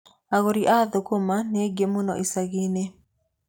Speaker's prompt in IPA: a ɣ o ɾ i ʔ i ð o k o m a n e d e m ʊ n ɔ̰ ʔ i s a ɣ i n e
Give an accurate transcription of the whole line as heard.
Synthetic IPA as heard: a ɣ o ɾ i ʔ a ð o k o m a n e ɡ e m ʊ n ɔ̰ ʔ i s a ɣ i n e